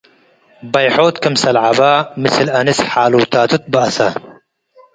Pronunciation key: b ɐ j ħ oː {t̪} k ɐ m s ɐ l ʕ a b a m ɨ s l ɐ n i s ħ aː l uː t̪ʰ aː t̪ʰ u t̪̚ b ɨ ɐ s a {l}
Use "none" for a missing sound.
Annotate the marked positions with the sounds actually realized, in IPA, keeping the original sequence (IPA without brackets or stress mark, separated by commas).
t̪, none